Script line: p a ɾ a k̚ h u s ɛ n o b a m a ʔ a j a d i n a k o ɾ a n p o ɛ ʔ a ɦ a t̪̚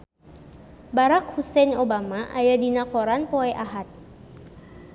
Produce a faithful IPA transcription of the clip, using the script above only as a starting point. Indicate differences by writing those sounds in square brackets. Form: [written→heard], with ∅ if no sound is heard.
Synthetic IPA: [p→b] a ɾ a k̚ h u s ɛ n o b a m a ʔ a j a d i n a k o ɾ a n p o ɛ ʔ a ɦ a t̪̚